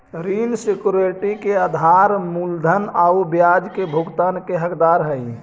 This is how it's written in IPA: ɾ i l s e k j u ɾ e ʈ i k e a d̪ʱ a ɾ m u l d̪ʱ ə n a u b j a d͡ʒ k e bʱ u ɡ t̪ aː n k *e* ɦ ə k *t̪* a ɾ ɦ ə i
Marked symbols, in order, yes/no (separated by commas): yes, no